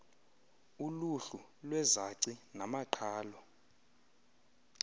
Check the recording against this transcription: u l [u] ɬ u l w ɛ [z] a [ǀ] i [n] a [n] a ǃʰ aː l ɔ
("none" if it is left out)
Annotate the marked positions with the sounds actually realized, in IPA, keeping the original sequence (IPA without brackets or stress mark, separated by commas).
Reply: u, z, ǀ, n, m